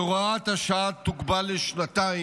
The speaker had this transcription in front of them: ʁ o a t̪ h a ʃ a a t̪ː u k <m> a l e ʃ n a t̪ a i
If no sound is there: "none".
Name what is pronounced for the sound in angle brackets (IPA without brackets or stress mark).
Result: b